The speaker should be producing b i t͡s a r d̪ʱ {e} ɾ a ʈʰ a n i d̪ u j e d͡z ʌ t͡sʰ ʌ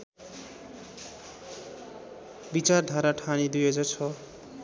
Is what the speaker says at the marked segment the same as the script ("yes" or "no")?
no